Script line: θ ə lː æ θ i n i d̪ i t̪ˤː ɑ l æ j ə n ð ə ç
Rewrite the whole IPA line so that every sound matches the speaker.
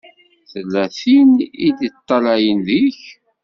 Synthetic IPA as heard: θ ə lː æ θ i n i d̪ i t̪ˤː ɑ l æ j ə n ð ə ç